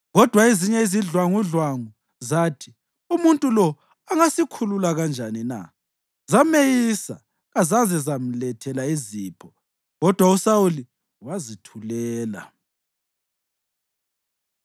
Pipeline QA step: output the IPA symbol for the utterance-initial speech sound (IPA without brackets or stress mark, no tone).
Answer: ɣ